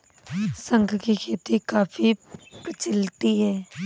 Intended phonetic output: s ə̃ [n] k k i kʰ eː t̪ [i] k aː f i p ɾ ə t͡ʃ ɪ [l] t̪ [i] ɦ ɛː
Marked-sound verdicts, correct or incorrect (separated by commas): incorrect, correct, correct, correct